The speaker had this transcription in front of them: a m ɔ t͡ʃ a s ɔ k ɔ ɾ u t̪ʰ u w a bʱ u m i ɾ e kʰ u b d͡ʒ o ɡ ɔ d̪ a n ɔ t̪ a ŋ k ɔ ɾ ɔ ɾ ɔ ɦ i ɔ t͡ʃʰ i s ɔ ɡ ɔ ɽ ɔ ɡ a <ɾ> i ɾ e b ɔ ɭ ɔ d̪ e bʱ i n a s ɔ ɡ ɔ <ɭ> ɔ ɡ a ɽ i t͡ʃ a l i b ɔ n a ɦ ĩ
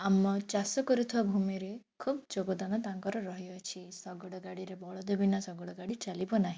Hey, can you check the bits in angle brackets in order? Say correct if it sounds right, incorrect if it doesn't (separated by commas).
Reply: incorrect, incorrect